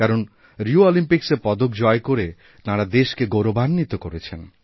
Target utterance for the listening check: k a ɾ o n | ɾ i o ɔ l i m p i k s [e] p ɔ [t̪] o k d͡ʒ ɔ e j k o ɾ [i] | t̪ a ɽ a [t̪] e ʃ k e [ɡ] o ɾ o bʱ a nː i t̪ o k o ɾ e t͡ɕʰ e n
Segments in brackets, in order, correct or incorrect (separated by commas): correct, incorrect, incorrect, incorrect, correct